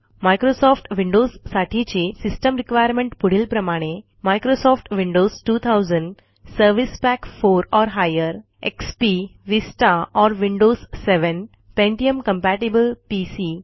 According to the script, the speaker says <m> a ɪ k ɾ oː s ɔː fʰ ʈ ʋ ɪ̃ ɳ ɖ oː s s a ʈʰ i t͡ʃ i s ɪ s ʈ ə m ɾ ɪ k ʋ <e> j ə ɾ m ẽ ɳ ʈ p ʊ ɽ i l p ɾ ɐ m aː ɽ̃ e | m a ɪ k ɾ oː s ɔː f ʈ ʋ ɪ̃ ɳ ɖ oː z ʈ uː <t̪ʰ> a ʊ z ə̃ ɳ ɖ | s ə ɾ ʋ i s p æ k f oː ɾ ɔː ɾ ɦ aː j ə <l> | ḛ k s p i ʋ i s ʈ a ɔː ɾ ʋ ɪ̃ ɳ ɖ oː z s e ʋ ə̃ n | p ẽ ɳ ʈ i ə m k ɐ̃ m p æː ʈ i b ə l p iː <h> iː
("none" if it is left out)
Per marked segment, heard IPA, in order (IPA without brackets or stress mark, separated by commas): m, a, t̪ʰ, ɾ, s